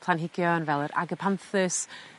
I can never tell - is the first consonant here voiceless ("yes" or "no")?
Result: yes